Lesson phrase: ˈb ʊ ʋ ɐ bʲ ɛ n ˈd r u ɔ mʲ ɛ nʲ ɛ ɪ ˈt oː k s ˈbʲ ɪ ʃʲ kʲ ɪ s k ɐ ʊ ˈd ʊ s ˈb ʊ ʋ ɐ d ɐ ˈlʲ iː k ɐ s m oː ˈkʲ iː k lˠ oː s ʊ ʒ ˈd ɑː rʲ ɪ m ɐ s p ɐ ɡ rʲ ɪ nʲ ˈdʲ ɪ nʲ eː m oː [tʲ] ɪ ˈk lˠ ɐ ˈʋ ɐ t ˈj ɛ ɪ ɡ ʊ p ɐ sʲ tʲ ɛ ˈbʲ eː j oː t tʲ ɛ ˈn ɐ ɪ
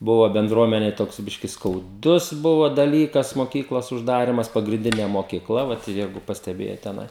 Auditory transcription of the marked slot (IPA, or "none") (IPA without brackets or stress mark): kʲ